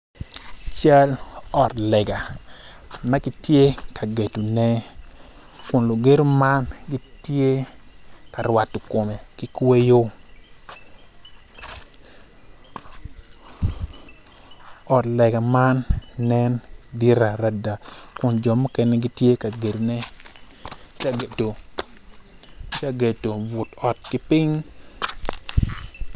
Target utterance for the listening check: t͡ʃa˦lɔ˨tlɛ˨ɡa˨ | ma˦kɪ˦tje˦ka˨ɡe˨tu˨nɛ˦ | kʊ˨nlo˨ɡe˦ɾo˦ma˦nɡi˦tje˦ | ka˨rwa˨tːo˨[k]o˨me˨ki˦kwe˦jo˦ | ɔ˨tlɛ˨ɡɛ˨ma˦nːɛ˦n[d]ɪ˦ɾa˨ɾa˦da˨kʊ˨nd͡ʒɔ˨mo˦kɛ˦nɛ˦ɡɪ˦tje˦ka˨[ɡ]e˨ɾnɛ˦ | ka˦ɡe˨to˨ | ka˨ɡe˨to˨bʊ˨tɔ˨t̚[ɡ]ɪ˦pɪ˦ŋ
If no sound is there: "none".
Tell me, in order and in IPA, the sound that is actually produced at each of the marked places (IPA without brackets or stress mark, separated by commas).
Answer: k, d, ɡ, k